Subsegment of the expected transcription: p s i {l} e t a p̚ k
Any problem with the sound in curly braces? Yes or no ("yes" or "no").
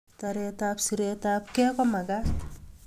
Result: yes